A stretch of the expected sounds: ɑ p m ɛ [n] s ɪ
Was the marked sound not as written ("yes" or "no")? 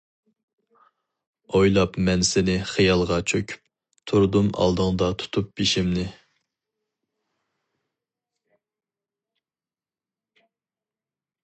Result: no